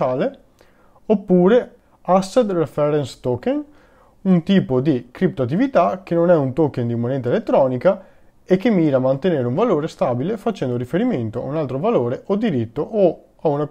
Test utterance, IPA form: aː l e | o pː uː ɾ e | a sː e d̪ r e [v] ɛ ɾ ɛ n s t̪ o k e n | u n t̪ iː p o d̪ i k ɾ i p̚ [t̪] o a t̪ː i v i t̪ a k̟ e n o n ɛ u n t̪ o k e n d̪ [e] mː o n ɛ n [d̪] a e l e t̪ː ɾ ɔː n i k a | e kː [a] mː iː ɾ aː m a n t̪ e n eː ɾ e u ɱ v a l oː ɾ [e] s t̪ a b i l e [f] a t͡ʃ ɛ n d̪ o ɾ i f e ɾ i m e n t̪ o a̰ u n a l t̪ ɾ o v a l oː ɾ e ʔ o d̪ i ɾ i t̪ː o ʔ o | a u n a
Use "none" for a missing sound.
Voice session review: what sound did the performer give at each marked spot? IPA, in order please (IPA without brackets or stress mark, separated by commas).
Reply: f, t̪, i, t̪, e, e, f